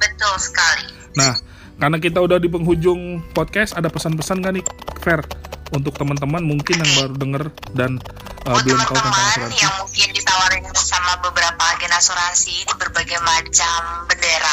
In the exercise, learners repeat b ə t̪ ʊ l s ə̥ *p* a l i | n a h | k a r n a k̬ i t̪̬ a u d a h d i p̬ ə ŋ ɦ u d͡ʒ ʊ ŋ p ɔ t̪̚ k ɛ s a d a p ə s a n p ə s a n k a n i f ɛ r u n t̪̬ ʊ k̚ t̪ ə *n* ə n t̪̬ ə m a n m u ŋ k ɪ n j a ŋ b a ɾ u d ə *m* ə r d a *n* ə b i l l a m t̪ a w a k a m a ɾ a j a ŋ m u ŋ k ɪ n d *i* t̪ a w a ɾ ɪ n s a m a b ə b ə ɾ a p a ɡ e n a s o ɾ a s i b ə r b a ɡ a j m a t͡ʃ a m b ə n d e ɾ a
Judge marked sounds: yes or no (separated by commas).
no, no, no, yes, yes